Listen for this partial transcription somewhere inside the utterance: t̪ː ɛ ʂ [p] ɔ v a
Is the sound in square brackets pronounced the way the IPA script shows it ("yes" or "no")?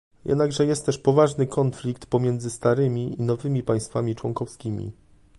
yes